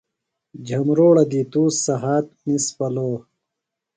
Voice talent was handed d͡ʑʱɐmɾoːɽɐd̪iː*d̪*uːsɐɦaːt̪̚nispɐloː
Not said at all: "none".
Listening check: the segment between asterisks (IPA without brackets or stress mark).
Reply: t̪